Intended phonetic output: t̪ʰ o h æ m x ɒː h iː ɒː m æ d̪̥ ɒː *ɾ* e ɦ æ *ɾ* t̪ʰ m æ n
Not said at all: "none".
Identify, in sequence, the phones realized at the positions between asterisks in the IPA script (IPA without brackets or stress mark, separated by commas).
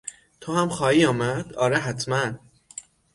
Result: ɾ, none